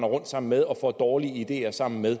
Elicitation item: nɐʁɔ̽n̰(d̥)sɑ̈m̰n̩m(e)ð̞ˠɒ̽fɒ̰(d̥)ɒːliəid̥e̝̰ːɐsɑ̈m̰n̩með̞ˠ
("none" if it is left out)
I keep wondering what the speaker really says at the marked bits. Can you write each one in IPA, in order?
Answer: d̥, e, d̥

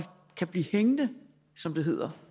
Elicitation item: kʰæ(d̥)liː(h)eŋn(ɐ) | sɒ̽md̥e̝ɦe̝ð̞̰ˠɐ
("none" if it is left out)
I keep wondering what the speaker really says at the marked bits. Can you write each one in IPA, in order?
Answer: b̥, h, ə

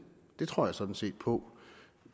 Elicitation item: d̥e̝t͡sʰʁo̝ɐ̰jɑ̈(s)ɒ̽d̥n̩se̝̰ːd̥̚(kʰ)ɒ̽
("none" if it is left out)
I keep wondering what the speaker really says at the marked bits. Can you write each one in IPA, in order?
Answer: s, pʰ

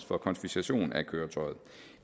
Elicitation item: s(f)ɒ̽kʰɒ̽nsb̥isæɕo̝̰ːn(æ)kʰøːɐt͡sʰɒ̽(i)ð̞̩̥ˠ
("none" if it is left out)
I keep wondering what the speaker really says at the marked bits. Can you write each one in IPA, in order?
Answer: f, æ, ɪ

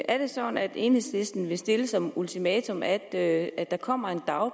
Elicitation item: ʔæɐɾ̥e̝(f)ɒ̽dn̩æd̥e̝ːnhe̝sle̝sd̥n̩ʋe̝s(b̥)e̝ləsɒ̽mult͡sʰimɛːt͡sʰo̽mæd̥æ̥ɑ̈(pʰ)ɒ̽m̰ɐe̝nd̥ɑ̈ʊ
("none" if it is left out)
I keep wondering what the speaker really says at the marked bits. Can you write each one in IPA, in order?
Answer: s, d̥, kʰ

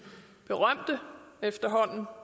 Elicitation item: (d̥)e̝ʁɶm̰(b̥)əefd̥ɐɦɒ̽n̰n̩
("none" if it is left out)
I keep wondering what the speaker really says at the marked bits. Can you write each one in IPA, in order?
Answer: b̥, d̥

